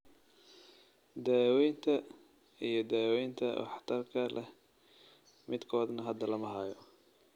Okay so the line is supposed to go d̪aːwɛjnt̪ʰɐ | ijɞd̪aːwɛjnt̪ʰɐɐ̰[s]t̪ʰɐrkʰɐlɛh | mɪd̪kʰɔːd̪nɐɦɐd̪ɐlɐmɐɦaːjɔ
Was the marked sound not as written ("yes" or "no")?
yes